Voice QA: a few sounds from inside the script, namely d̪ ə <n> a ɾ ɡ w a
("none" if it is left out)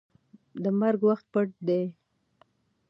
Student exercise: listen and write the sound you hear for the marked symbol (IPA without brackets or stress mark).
m